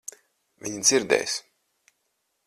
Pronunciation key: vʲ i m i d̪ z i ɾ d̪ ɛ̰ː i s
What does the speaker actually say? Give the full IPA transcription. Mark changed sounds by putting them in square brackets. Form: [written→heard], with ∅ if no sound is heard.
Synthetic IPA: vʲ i [m→ɲ] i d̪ z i ɾ d̪ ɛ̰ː [i→j] s